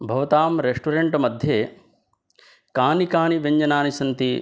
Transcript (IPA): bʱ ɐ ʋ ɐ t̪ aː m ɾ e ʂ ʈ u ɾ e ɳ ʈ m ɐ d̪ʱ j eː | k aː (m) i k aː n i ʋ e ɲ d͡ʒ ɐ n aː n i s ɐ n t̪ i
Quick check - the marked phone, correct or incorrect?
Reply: incorrect